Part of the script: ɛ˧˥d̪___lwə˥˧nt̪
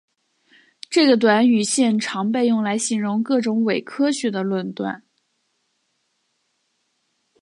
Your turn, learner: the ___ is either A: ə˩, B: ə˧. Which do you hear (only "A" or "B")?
B